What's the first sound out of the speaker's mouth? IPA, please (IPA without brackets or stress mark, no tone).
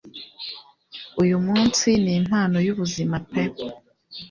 u